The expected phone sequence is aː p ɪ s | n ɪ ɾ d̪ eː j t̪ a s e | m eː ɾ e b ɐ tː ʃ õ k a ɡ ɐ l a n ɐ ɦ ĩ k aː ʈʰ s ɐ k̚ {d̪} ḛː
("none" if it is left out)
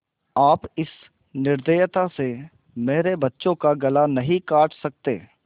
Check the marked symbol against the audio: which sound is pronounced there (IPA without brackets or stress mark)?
t̪